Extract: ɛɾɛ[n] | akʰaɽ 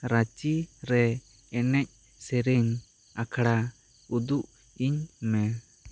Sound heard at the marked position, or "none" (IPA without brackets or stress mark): ɲ